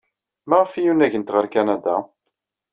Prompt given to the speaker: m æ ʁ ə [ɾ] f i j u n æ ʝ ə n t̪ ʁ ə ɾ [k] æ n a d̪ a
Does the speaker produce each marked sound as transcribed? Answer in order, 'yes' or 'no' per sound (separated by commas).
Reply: no, yes